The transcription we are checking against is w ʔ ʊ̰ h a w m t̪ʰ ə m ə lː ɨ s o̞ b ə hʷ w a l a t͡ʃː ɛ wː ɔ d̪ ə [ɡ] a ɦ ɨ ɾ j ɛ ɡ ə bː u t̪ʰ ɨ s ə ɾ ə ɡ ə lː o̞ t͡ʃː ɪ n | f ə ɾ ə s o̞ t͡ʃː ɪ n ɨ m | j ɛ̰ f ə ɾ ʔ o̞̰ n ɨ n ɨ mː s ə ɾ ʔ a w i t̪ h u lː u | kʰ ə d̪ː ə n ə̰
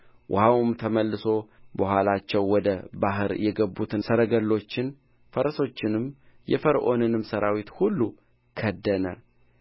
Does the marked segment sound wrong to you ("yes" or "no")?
yes